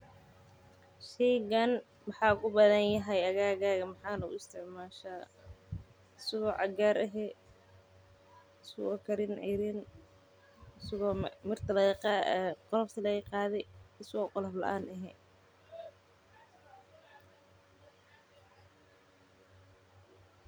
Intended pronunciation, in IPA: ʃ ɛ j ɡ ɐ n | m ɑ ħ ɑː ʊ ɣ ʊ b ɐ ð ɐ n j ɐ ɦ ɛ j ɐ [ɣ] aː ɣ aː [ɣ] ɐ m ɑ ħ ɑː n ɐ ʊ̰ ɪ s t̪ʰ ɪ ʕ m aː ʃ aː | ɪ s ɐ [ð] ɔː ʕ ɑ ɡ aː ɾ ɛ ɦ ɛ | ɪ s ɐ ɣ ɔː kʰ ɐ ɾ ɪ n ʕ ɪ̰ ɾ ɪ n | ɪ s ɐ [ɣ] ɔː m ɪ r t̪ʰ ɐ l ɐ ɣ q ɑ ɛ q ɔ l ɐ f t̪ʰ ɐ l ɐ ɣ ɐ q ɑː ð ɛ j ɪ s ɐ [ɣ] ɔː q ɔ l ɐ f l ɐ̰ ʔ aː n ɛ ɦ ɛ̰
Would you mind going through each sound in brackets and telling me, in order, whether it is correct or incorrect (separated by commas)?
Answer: correct, correct, incorrect, correct, correct